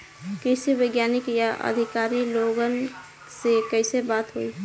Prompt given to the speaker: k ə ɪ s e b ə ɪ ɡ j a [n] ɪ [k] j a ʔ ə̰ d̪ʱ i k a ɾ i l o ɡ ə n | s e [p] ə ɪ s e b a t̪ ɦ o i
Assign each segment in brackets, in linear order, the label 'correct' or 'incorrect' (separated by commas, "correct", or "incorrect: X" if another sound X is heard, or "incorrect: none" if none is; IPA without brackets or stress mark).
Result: correct, correct, incorrect: k